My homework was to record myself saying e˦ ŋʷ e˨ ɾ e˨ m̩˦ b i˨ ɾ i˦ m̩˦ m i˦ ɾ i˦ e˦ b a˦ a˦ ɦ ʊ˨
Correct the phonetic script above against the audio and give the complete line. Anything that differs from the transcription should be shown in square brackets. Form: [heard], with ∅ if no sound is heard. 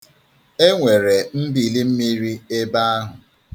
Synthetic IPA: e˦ ŋʷ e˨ ɾ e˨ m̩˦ b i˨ [l] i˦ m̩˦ m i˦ ɾ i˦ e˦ b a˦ a˦ ɦ ʊ˨